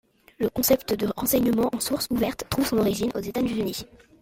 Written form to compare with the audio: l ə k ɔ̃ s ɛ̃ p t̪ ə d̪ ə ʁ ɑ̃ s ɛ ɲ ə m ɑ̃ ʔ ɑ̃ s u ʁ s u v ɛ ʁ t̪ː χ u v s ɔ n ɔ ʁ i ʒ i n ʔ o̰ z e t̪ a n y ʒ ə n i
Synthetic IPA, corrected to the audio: l ə k ɔ̃ s ɛ p t̪ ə d̪ ə ʁ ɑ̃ s ɛ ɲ ə m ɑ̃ ʔ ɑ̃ s u ʁ s u v ɛ ʁ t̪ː χ u v s ɔ̃ n ɔ ʁ i ʒ i n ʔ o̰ z e t̪ a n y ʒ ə n i